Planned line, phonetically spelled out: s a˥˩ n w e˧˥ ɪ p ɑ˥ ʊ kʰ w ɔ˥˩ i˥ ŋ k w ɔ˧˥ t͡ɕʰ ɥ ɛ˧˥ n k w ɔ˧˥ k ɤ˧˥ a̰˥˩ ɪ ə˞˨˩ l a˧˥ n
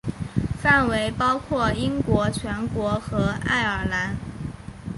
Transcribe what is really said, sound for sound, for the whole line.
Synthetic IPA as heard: f a˥˩ n w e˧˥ ɪ p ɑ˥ ʊ kʰ w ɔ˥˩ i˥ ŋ k w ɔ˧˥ t͡ɕʰ ɥ ɛ˧˥ n k w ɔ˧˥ x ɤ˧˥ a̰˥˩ ɪ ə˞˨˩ l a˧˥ n